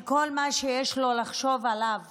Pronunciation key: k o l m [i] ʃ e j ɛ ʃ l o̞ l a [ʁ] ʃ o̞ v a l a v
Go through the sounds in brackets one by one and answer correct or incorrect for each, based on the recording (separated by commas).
incorrect, incorrect